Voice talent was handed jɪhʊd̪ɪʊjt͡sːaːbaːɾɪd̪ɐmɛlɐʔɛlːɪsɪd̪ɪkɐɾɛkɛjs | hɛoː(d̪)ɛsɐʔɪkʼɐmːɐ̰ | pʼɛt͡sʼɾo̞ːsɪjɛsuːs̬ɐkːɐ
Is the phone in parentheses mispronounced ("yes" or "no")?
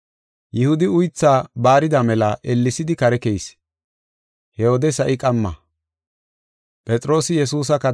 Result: no